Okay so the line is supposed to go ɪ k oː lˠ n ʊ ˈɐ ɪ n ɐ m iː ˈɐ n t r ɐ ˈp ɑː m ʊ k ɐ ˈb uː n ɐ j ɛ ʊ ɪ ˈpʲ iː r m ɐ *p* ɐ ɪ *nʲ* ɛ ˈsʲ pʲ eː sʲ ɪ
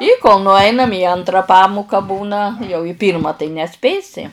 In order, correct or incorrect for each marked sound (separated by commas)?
incorrect, correct